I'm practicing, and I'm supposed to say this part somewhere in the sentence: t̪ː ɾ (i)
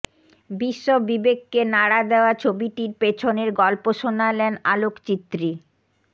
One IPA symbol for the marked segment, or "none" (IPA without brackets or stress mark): i